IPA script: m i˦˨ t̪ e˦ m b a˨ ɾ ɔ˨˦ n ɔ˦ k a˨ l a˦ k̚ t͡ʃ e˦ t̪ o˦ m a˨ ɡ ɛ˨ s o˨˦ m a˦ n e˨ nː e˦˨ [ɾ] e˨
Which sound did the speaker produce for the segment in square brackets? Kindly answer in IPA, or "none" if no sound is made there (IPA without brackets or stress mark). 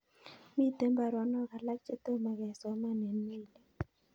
l